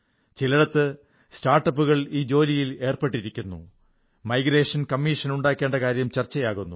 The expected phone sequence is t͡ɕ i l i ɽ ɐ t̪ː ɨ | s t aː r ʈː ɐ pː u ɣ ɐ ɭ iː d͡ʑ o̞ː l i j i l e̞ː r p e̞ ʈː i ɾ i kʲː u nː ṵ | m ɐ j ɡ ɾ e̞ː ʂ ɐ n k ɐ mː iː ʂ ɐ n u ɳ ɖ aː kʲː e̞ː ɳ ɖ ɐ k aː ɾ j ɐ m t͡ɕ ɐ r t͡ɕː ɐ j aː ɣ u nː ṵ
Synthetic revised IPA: t͡ɕ i l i ɽ ɐ t̪ː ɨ | s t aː r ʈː ɐ pː u ɣ ɐ ɭ iː d͡ʑ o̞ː l i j i l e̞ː r p e̞ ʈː i ɾ i kʲː u nː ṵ | m ɐ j ɡ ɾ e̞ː ʂ ɐ n k ɐ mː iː ʂ ɐ n u ɳ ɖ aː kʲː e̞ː ɳ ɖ ɐ k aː ɾ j ɐ m t͡ɕ ɐ r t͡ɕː ɐ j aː ɣ u nː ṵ